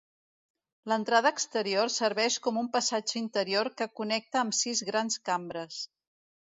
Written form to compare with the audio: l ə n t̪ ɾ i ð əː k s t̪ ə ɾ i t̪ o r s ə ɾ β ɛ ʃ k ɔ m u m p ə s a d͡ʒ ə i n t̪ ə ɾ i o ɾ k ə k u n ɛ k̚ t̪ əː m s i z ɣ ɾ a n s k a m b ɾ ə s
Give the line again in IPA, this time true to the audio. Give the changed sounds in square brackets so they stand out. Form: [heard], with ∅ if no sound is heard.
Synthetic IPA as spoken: l ə n t̪ ɾ [a] ð əː k s t̪ ə ɾ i [∅] o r s ə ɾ β ɛ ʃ k ɔ m u m p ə s a d͡ʒ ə i n t̪ ə ɾ i o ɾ k ə k u n ɛ k̚ t̪ əː m s i z ɣ ɾ a n s k a m b ɾ ə s